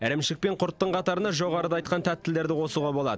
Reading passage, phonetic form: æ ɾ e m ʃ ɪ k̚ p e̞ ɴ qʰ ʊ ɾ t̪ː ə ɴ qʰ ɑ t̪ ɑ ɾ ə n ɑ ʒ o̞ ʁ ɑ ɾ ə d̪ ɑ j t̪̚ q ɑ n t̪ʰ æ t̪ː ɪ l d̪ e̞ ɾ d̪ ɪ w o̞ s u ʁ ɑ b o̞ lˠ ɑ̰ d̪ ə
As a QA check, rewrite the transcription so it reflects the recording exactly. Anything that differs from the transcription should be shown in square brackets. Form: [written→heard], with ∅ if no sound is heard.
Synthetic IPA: æ ɾ e m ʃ ɪ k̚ p e̞ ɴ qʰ ʊ ɾ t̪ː ə ɴ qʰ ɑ t̪ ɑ ɾ ə n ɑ ʒ o̞ ʁ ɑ ɾ ə d̪ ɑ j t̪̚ q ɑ n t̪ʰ æ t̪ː ɪ l d̪ e̞ ɾ d̪ ɪ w o̞ s u ʁ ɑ b o̞ lˠ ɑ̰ d̪ ə